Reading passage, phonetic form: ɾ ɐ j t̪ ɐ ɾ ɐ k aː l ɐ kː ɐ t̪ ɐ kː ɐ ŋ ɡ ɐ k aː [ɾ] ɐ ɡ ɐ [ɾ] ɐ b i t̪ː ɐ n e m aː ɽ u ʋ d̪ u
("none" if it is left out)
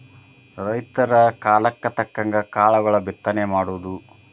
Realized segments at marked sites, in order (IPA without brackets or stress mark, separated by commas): ɭ, ɭ